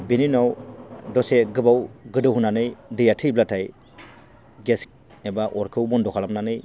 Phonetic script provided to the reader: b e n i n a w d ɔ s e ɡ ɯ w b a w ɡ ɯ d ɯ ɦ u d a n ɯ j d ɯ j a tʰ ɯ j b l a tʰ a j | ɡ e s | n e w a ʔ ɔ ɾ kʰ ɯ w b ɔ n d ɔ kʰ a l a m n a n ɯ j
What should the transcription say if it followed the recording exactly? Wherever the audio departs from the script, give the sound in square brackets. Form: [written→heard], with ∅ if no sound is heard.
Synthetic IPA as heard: b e n i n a w d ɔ s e ɡ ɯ [w→∅] b a w ɡ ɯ d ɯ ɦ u [d→n] a n ɯ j d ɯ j a tʰ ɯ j b l a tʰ a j | ɡ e s | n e [w→b] a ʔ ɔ ɾ kʰ ɯ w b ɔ n d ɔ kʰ a l a m n a n ɯ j